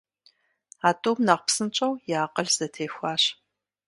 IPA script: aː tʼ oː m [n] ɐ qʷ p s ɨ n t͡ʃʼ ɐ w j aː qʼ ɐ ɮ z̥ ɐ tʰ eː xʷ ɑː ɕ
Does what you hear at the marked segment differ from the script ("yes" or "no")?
no